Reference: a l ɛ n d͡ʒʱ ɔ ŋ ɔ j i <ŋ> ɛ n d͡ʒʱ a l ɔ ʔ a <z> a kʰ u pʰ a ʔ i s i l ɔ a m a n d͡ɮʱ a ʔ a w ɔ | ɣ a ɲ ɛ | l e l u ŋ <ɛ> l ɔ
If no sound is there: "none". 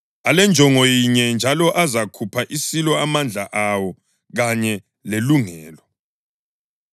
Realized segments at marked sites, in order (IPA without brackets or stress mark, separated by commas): ɲ, z, ɛː